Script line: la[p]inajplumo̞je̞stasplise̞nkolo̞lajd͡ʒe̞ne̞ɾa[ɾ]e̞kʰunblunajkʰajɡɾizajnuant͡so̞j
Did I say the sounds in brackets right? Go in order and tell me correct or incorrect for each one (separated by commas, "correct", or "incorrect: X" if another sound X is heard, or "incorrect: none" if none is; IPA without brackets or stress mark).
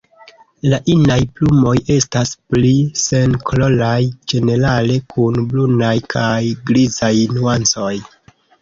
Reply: incorrect: ʔ, incorrect: l